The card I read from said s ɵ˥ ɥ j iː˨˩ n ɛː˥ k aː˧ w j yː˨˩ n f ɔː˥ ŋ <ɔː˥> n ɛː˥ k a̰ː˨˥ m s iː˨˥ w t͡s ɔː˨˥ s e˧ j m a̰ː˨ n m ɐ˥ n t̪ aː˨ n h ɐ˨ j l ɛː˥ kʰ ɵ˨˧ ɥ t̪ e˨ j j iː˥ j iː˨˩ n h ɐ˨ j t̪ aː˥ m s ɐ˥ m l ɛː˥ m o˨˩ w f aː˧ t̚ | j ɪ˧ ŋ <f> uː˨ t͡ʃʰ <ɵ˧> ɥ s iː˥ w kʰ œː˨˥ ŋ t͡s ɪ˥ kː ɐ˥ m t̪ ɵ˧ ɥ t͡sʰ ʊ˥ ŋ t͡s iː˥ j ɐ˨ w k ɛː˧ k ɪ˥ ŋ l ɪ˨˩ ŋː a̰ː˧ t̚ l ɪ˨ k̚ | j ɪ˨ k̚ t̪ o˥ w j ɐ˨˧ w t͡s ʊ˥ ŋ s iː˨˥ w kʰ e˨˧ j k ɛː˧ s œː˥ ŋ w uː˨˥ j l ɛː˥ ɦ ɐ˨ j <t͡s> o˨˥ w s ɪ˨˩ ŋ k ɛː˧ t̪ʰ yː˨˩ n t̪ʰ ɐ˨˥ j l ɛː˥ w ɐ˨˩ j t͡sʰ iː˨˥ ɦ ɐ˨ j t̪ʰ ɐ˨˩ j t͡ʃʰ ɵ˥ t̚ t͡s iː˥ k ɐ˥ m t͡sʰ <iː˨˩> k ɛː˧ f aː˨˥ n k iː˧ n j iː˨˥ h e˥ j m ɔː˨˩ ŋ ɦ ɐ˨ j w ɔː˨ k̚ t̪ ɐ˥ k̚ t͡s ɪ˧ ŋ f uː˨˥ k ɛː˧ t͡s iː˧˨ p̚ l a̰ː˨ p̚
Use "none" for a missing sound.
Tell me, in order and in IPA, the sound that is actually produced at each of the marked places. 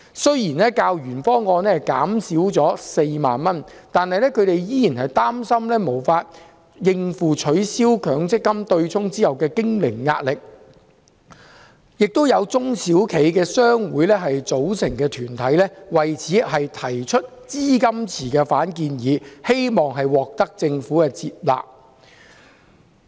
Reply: ɔː˧, f, ɵ˨˧˥, t͡s, iː˨˩

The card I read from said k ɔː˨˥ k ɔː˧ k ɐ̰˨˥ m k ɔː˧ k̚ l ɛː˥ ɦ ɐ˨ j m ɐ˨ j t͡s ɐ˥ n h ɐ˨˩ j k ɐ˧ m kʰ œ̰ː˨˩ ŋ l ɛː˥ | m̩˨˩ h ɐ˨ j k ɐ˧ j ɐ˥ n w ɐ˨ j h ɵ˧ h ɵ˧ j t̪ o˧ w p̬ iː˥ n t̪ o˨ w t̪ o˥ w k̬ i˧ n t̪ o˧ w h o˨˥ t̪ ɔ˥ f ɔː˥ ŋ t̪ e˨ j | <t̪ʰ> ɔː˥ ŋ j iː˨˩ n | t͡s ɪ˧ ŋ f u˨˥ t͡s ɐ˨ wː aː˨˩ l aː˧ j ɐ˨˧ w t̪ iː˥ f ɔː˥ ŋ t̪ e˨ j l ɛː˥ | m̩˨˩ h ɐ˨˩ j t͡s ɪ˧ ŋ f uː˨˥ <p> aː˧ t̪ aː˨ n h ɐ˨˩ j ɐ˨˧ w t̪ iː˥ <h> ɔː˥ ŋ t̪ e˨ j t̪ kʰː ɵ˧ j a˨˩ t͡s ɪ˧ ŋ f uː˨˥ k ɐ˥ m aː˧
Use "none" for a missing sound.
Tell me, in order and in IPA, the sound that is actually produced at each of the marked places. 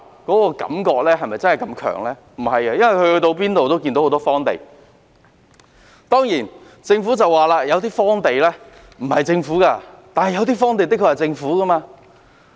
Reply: t̪, k, f

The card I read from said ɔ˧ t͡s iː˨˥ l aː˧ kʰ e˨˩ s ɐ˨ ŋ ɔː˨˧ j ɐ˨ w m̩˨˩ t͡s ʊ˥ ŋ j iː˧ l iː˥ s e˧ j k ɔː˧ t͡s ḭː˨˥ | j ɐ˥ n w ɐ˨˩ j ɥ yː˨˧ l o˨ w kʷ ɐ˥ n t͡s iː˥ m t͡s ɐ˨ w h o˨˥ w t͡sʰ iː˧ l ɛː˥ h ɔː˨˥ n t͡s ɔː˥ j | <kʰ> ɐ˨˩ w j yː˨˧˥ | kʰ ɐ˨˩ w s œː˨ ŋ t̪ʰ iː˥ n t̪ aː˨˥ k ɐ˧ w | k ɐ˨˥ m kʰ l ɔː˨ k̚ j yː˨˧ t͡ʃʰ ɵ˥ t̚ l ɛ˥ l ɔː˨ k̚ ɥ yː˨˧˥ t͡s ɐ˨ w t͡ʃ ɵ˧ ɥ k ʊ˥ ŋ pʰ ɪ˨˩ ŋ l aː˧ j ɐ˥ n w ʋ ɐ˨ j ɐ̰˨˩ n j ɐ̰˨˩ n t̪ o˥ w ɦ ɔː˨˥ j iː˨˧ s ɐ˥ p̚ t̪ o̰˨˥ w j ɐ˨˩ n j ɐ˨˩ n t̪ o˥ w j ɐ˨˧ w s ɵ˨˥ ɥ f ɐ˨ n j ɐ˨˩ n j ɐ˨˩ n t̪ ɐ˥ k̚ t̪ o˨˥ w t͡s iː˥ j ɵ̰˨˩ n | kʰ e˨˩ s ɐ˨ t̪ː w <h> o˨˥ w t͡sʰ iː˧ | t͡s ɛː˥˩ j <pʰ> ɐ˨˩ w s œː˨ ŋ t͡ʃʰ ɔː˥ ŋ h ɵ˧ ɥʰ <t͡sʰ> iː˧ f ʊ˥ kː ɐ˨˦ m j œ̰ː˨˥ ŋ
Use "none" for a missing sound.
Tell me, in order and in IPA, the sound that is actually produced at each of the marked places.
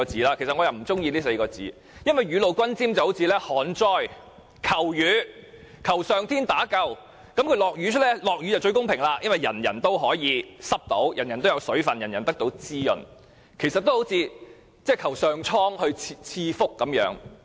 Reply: kʰ, h, kʰ, t͡sʰ

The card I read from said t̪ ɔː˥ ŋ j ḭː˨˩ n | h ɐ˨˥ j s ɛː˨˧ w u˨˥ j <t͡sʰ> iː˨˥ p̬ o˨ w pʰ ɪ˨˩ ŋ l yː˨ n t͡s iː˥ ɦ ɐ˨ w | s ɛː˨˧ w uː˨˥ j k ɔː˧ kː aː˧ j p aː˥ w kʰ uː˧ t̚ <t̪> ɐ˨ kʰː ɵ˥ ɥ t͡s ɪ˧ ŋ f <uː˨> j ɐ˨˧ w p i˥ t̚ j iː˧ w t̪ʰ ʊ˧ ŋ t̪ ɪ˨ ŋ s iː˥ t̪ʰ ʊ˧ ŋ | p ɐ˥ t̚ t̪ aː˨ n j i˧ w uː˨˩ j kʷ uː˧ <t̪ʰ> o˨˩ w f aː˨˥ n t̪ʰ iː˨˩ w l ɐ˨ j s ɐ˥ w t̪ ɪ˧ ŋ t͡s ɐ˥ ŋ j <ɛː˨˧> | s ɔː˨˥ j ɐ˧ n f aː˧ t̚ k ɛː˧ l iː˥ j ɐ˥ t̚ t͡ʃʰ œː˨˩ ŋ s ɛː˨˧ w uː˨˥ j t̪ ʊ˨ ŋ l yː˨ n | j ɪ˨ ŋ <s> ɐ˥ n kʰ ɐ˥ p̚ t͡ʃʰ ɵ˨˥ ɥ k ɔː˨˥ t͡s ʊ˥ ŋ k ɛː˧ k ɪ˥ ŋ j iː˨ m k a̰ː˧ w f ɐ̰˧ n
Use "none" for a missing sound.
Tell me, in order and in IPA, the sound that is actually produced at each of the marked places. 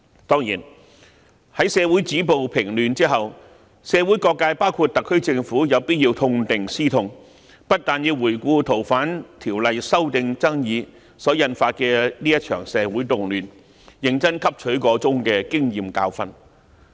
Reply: t͡s, t̪, uː˨˥, t̪ʰ, iː˨˧, t͡s

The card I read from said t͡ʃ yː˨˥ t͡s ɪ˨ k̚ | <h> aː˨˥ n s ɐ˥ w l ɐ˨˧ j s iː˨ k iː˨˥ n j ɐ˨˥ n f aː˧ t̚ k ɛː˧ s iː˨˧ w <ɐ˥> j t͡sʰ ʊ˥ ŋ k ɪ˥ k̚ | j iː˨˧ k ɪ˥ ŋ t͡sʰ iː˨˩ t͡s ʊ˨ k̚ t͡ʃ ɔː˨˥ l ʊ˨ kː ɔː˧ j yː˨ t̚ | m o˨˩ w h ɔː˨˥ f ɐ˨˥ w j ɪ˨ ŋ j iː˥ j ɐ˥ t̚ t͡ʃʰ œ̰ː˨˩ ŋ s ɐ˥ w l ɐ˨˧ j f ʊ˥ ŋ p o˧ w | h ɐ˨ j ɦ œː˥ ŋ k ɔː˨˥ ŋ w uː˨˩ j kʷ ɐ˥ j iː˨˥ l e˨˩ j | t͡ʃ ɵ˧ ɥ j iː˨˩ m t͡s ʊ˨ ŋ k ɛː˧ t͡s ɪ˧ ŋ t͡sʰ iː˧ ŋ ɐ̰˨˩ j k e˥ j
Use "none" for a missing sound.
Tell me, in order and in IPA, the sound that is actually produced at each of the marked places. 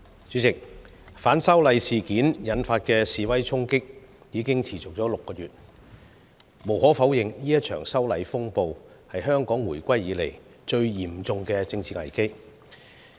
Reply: f, ɐ˥

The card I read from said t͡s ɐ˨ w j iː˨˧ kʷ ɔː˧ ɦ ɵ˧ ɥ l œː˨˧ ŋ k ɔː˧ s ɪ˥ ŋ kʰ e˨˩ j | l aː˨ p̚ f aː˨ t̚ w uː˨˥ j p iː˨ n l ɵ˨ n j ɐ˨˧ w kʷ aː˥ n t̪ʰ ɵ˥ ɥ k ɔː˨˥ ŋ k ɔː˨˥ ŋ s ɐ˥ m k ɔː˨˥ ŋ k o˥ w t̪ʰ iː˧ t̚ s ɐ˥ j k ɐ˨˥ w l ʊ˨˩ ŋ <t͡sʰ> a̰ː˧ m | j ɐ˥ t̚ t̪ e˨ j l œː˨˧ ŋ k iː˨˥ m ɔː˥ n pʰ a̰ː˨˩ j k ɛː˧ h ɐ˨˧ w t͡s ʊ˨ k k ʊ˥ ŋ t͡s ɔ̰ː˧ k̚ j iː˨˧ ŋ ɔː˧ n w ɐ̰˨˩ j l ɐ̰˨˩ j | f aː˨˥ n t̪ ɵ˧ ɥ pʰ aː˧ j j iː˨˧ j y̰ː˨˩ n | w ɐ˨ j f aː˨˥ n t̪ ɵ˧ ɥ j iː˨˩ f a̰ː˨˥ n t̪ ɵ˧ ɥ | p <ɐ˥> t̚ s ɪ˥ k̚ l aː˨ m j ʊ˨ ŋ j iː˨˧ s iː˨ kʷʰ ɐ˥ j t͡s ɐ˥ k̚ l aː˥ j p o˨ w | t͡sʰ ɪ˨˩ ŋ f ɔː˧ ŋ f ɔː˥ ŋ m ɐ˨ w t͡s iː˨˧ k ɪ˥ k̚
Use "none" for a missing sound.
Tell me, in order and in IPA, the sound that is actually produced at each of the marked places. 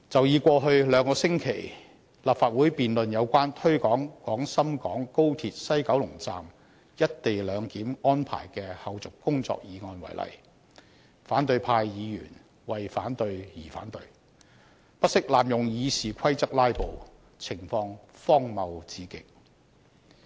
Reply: t͡s, ɐ˥

